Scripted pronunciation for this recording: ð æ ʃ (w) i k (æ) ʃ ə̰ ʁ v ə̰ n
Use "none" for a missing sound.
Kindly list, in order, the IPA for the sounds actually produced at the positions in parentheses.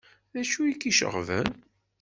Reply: u, i

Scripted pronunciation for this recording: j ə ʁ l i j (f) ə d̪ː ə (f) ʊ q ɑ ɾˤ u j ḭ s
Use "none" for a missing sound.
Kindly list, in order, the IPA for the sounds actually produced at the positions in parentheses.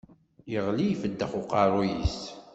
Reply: f, χ

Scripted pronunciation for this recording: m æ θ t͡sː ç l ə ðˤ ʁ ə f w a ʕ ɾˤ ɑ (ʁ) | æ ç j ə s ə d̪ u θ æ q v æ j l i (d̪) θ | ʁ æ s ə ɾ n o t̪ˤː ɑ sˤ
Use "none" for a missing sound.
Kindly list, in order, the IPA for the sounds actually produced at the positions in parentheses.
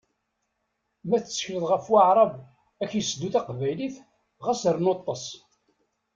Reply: v, none

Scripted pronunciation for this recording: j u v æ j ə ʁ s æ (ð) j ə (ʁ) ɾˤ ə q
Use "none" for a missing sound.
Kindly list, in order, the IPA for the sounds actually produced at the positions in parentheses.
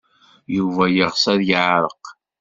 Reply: ð, ʕ

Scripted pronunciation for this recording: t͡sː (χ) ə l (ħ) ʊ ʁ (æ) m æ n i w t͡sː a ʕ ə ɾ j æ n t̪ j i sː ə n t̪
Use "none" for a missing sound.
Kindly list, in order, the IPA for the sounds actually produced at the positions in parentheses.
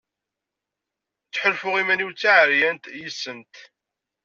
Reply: ħ, f, i

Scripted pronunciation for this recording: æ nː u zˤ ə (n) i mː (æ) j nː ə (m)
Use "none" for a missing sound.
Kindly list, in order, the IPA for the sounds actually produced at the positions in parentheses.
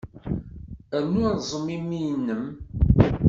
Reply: m, i, m

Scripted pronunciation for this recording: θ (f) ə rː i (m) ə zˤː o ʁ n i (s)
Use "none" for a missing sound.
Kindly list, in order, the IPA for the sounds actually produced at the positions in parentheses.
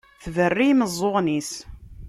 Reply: v, m, s

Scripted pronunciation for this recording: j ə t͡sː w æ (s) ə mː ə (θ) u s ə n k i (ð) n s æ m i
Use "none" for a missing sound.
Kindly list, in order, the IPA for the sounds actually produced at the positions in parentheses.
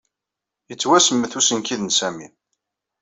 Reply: s, θ, ð

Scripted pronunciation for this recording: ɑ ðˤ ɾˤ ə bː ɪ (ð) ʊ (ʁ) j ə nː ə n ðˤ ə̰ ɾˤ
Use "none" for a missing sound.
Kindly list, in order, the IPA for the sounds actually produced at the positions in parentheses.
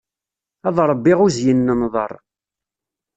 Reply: ʁ, z

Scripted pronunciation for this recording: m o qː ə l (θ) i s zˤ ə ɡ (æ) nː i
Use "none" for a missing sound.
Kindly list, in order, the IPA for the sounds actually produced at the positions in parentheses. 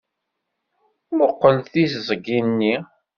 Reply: θ, i

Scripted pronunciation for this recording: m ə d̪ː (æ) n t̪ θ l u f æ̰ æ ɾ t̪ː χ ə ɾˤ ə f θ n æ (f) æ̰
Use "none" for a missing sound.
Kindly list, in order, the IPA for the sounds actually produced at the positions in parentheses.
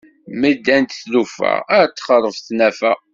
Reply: æ, f

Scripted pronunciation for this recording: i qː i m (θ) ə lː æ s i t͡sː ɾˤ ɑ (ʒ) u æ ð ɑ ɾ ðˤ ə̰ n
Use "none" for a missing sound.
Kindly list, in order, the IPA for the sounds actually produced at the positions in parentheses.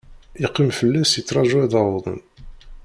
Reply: f, ʒ

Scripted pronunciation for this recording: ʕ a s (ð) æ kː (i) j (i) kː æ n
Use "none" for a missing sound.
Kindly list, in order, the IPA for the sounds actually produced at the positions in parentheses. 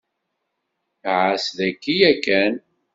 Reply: ð, i, æ

